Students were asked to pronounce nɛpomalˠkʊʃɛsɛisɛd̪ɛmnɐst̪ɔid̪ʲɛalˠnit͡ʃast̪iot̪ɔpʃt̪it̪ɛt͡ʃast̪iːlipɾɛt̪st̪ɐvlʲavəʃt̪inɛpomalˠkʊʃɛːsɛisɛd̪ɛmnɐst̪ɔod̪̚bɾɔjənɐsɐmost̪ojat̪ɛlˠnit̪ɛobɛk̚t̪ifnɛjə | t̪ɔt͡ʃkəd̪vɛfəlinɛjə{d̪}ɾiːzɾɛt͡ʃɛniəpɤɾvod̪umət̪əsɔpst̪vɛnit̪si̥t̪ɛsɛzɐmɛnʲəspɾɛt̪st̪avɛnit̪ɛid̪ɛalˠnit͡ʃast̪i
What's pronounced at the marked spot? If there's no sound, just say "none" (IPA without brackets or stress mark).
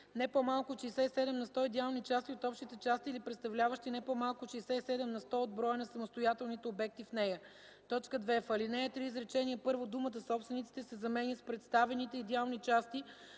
t̪